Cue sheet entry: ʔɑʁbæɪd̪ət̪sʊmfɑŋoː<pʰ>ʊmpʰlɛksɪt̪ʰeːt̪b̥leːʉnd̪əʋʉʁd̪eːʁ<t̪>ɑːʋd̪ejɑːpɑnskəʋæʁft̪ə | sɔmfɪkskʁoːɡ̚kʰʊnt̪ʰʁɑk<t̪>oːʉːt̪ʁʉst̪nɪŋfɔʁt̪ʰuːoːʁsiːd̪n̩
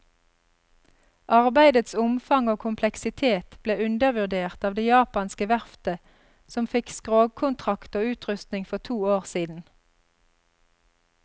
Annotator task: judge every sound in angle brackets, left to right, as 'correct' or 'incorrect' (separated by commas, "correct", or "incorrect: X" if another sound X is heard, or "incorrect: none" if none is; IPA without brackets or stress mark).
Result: incorrect: kʰ, correct, correct